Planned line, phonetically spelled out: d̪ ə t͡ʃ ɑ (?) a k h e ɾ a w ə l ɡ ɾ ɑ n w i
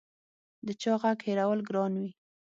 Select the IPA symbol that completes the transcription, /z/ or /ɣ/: ɣ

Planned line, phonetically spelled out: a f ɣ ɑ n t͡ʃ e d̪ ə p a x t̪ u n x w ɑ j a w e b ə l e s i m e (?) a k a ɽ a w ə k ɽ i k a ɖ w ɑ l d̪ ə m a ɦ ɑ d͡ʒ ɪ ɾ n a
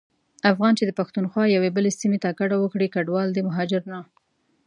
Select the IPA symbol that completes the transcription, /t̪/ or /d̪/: t̪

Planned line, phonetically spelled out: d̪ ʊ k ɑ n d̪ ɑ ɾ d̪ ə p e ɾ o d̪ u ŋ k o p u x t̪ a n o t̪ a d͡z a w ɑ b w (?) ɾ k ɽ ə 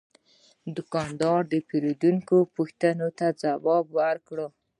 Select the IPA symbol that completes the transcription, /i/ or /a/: a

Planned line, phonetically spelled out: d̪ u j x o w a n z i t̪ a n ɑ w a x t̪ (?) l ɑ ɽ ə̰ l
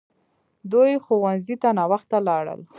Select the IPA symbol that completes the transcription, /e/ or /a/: a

